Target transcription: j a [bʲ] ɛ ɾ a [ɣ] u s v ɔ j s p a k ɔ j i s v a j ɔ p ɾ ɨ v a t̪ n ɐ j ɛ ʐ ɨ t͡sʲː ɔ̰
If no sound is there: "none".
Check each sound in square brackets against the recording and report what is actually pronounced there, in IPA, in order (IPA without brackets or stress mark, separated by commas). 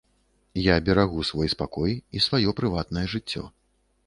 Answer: bʲ, ɣ